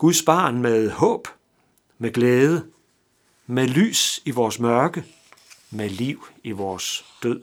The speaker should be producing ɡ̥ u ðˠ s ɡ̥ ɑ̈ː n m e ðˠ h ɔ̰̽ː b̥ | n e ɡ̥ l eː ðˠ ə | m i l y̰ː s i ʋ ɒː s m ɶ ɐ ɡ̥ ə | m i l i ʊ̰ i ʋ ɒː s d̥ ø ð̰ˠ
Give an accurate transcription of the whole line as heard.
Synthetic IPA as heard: ɡ̥ u ðˠ s b̥ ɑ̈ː n m e ðˠ h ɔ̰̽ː b̥ | m e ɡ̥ l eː ðˠ ə | m e l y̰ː s i ʋ ɒː s m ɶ ɐ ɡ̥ ə | m e l i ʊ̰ i ʋ ɒː s d̥ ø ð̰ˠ